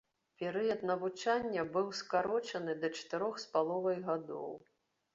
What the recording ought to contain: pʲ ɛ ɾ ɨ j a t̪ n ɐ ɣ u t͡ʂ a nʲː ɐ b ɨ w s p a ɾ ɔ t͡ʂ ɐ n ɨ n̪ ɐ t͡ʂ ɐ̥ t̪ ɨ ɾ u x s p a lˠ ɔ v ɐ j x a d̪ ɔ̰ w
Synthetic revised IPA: pʲ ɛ ɾ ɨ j ɐ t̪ n ɐ v u t͡ʂ a nʲː ɐ b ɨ w s k a ɾ ɔ t͡ʂ ɐ n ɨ d̪ ɐ t͡ʂ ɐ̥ t̪ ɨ ɾ ɔ x s p a lˠ ɔ v ɐ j ɣ a d̪ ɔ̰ w

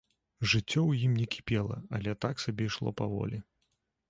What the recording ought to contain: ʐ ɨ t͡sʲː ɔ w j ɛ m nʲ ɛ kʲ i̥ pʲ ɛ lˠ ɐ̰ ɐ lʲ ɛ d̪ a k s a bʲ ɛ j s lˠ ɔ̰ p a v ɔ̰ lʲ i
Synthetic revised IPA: ʐ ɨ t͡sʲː ɔ w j i m nʲ ɛ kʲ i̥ pʲ ɛ lˠ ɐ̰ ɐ lʲ ɛ t̪ a k s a bʲ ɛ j ʂ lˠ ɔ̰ p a v ɔ̰ lʲ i

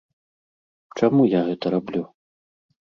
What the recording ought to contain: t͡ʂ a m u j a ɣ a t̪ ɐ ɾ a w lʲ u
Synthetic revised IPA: t͡ʂ a m u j a ɣ ɛ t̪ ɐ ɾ a b lʲ u

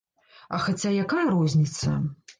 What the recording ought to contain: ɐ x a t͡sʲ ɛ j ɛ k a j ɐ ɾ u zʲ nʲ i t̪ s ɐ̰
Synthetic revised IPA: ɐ x a t͡sʲ a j a k a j ɐ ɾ ɔ zʲ nʲ i t̪ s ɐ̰

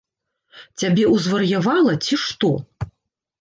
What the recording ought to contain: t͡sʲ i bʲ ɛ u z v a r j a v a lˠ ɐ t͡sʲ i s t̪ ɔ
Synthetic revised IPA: t͡sʲ a bʲ ɛ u z v ɐ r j a v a lˠ ɐ t͡sʲ i ʂ t̪ ɔ

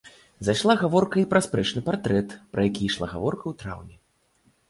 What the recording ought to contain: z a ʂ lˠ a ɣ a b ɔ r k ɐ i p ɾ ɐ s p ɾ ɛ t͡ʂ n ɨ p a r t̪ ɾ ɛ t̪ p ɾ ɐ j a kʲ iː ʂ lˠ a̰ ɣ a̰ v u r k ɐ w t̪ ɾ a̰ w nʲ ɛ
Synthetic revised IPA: z a ʂ lˠ a ɣ a v ɔ r k ɐ i p ɾ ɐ s p ɾ ɛ t͡ʂ n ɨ p a r t̪ ɾ ɛ t̪ p ɾ ɐ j a kʲ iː ʂ lˠ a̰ ɣ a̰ v ɔ r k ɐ w t̪ ɾ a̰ w nʲ ɛ

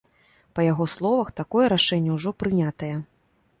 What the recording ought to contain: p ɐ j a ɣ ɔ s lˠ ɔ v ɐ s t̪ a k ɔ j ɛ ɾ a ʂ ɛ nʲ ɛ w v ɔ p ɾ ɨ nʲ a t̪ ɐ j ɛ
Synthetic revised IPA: p ɐ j a ɣ ɔ s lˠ ɔ v ɐ x t̪ a k ɔ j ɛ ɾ a ʂ ɛ nʲː ɛ w ʐ ɔ p ɾ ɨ nʲ a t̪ ɐ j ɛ

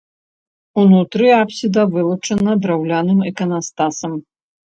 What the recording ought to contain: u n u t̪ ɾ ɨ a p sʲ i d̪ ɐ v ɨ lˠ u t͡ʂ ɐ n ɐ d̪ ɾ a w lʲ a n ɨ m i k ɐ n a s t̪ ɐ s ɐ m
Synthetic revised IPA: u n u t̪ ɾ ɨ a p sʲ i d̪ ɐ v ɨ lˠ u t͡ʂ ɐ n ɐ d̪ ɾ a w lʲ a n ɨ m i k ɐ n a s t̪ a s ɐ m

